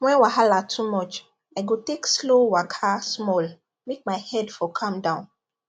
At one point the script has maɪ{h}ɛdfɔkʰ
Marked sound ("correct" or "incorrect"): correct